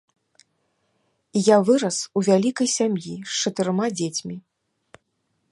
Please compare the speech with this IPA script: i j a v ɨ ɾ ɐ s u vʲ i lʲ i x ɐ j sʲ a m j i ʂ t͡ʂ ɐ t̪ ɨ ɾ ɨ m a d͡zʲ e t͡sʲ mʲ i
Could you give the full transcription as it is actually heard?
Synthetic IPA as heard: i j a v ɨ ɾ ɐ s u vʲ a lʲ i k ɐ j sʲ a m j i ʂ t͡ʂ ɐ t̪ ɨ ɾ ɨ m a d͡zʲ e t͡sʲ mʲ i

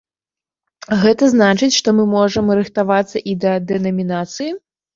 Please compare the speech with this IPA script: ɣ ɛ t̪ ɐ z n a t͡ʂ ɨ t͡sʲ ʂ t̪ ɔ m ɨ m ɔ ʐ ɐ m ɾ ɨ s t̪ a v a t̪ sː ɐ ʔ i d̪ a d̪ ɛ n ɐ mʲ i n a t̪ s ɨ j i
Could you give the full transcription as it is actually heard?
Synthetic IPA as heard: ɣ ɛ t̪ ɐ z n a t͡ʂ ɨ t͡sʲ ʂ t̪ ɔ m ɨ m ɔ ʐ ɐ m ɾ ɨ x t̪ a v a t̪ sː ɐ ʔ i d̪ ɐ d̪ ɛ n ɐ mʲ i n a t̪ s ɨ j i

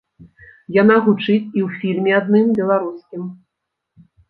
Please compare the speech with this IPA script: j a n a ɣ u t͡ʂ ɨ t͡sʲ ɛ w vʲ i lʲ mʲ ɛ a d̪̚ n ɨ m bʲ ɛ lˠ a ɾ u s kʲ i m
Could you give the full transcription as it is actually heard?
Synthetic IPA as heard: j a n a ɣ u t͡ʂ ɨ t͡sʲ i w fʲ i lʲ mʲ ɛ a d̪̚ n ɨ m bʲ ɛ lˠ a ɾ u s kʲ i m

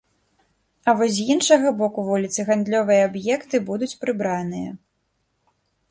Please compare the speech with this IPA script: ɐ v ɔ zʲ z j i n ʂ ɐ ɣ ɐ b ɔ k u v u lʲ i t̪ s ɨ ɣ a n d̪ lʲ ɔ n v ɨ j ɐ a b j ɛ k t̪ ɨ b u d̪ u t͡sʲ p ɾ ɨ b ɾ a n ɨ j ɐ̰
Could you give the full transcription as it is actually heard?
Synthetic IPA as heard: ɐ v ɔ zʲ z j i n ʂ ɐ ɣ ɐ b ɔ k u v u lʲ i t̪ s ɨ ɣ a n d̪ lʲ ɔ v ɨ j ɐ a b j ɛ k t̪ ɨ b u d̪ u t͡sʲ p ɾ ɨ b ɾ a n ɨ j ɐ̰

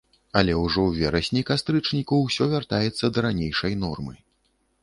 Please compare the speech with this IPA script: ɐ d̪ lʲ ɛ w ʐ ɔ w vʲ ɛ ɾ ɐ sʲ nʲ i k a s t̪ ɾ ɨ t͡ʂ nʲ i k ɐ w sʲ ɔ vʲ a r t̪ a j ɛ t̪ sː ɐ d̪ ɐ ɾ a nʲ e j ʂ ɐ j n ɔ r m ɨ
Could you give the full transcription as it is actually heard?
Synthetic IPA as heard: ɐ lʲ ɛ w ʐ ɔ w vʲ ɛ ɾ ɐ sʲ nʲ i k a s t̪ ɾ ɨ t͡ʂ nʲ i k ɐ w sʲ ɔ vʲ a r t̪ a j ɛ t̪ sː ɐ d̪ ɐ ɾ a nʲ e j ʂ ɐ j n ɔ r m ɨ

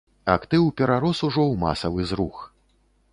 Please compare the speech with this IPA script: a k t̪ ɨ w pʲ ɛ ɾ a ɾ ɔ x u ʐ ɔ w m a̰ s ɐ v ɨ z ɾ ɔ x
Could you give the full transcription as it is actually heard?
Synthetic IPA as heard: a k t̪ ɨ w pʲ ɛ ɾ a ɾ ɔ s u ʐ ɔ w m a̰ s ɐ v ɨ z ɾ u x

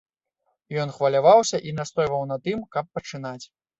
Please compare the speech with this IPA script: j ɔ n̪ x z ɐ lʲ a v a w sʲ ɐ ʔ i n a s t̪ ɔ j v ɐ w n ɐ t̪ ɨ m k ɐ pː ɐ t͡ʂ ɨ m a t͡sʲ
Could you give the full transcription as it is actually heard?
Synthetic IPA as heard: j ɔ n̪ x v ɐ lʲ a v a w sʲ ɐ ʔ i n a s t̪ ɔ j v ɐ w n ɐ t̪ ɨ m k ɐ pː ɐ t͡ʂ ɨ n a t͡sʲ

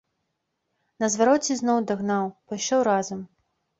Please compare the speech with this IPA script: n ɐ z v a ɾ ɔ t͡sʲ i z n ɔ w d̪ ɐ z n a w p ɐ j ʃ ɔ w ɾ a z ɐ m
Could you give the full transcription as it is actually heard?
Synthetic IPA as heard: n ɐ z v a ɾ ɔ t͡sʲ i z n ɔ w d̪ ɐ ɣ n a w p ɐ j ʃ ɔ w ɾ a z ɐ m

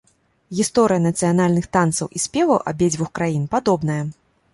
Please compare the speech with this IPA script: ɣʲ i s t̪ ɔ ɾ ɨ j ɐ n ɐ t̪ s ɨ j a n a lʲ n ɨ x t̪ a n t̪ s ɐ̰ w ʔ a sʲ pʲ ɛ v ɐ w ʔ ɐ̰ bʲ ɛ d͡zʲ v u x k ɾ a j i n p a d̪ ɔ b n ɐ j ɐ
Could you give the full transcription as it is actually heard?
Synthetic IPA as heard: ɣʲ i s t̪ ɔ ɾ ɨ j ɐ n ɐ t̪ s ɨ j a n a lʲ n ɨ x t̪ a n t̪ s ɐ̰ w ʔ i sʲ pʲ ɛ v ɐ w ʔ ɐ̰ bʲ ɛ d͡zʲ v u x k ɾ a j i n p a d̪ ɔ b n ɐ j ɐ

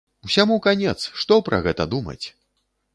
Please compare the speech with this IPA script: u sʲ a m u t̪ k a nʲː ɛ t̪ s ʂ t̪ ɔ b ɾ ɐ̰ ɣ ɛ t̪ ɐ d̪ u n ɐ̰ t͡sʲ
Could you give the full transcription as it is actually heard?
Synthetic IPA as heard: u sʲ a m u k a nʲ ɛ t̪ s ʂ t̪ ɔ p ɾ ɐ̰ ɣ ɛ t̪ ɐ d̪ u m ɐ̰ t͡sʲ

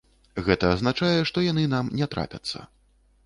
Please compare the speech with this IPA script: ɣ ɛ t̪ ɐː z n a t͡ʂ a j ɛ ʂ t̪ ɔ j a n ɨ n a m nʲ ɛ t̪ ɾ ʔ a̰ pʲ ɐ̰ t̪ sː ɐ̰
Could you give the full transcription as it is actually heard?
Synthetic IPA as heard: ɣ ɛ t̪ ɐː z n a t͡ʂ a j ɛ ʂ t̪ ɔ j a n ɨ n a m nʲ ɛ t̪ ɾ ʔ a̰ pʲ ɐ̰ t̪ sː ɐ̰

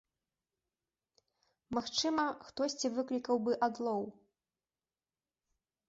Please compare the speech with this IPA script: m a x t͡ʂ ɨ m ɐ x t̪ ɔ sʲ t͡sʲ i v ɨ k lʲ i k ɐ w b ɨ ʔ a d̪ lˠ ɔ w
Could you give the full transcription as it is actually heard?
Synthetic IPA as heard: m a x t͡ʂ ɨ m ɐ x t̪ ɔ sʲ t͡sʲ i v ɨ k lʲ i k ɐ w b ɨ ʔ a d̪ lˠ ɔ w

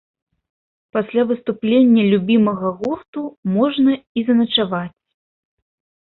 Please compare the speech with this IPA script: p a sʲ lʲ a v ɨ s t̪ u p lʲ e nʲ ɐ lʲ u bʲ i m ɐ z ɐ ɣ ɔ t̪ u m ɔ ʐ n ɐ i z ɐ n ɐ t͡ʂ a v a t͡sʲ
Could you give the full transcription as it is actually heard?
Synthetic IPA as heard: p a sʲ lʲ a v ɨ s t̪ u p lʲ e nʲː ɐ lʲ u bʲ i m ɐ ɣ ɐ ɣ ɔ t̪ u m ɔ ʐ n ɐ i z ɐ n ɐ t͡ʂ a v a t͡sʲ

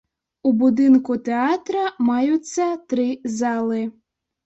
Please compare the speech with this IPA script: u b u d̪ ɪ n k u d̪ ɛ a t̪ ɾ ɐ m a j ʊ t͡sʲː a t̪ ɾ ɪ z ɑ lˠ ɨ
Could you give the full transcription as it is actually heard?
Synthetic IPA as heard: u b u d̪ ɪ n k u t̪ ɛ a t̪ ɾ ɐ m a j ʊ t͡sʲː ɐ t̪ ɾ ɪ z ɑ lˠ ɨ

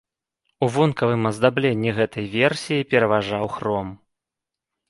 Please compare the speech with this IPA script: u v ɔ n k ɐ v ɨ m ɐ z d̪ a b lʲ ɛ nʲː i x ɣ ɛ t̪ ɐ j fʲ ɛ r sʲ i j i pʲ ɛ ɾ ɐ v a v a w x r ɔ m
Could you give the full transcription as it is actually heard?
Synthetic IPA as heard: u v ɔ n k ɐ v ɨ m ɐ z d̪ a b lʲ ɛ nʲː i ɣ ɛ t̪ ɐ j vʲ ɛ r sʲ i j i pʲ ɛ ɾ ɐ v a ʐ a w x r ɔ m

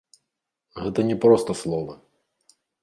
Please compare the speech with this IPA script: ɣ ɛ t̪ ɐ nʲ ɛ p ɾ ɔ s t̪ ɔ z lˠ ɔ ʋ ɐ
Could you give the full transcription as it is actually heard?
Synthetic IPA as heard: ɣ ɛ t̪ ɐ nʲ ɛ p ɾ ɔ s t̪ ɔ s lˠ ɔ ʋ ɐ

